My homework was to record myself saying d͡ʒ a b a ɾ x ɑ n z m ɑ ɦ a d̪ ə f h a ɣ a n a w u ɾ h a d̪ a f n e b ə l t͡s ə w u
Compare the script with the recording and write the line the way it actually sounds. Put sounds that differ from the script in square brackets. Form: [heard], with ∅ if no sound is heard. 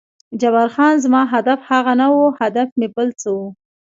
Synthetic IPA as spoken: d͡ʒ a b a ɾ x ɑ n z m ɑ ɦ a d̪ [a] f h a ɣ a n a w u [∅] h a d̪ a f [m] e b ə l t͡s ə w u